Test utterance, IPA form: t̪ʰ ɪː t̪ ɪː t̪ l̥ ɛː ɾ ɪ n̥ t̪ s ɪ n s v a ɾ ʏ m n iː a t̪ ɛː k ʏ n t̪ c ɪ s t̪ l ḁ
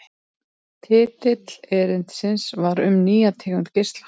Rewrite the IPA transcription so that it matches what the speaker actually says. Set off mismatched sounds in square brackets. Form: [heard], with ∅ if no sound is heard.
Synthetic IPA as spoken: t̪ʰ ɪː t̪ [ɪ] t̪ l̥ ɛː ɾ ɪ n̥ t̪ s ɪ n s v a ɾ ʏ m n iː a [t̪ʰ] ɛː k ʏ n t̪ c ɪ s t̪ l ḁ

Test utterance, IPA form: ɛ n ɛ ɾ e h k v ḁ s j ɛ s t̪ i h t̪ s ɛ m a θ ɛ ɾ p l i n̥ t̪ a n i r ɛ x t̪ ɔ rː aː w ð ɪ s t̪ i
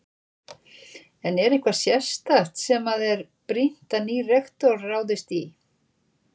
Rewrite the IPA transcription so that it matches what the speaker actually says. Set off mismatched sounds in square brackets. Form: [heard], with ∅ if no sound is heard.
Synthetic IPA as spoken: ɛ n ɛ ɾ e h k v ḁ s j ɛ s t̪ [a] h t̪ s ɛ m a [ð] ɛ ɾ p [ɾ] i n̥ t̪ a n i r ɛ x t̪ ɔ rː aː w ð ɪ s t̪ i

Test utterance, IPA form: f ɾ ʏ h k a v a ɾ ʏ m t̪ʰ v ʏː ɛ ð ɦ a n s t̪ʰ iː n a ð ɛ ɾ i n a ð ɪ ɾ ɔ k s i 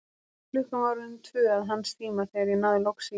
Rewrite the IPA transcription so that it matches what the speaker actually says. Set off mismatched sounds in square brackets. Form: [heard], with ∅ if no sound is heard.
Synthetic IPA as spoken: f [l] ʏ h k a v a ɾ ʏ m t̪ʰ v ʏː [a] ð ɦ a n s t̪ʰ iː [m] a [θ] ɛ ɾ i n a ð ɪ [l] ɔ k s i

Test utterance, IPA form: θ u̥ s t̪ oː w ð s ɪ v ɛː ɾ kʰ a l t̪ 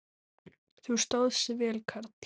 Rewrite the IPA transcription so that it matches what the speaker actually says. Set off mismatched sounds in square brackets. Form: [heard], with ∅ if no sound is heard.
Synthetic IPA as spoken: θ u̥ s t̪ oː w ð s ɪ v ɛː [l] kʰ a [ɾ] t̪

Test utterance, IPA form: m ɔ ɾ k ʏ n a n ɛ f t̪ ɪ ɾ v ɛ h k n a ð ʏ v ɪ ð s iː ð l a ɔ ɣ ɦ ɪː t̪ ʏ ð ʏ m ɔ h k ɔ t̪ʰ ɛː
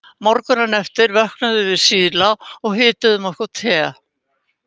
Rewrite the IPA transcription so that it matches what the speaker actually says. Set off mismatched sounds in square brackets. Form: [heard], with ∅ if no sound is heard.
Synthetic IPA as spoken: m ɔ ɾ k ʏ n a n ɛ f t̪ ɪ ɾ v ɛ h k n a ð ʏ v ɪ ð s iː ð l a ɔ ɣ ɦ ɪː t̪ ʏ ð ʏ m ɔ h k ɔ t̪ʰ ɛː

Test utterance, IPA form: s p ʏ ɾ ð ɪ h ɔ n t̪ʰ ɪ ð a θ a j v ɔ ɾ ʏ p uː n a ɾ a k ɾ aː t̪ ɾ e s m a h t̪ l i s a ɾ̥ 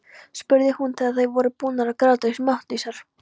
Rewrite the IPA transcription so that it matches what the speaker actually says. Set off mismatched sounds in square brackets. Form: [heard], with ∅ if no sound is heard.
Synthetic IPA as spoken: s p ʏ ɾ ð ɪ h [u] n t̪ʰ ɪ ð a θ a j v ɔ ɾ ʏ p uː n a ɾ a k ɾ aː t̪ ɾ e s m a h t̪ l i s a ɾ̥

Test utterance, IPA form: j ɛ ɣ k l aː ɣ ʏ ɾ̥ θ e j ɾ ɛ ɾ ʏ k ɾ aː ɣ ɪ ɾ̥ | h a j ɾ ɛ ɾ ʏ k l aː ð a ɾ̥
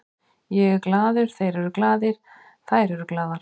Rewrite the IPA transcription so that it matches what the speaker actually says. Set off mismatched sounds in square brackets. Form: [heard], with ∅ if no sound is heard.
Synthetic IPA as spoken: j ɛ ɣ k l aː [ð] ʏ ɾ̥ θ e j ɾ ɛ ɾ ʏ k [l] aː [ð] ɪ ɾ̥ | [θ] a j ɾ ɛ ɾ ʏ k l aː ð a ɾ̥

